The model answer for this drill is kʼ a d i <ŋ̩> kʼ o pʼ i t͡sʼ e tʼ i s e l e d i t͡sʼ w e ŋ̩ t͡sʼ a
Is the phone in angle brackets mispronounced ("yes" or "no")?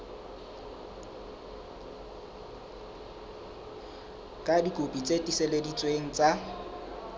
yes